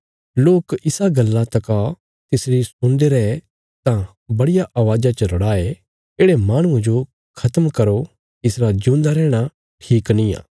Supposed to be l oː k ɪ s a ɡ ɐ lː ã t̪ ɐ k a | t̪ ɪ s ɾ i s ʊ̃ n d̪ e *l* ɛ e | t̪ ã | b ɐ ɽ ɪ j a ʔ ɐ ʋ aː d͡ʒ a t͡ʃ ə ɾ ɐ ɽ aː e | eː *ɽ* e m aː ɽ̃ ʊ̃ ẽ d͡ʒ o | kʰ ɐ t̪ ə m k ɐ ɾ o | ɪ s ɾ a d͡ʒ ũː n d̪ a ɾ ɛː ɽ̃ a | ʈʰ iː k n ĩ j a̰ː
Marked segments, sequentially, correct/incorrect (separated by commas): incorrect, correct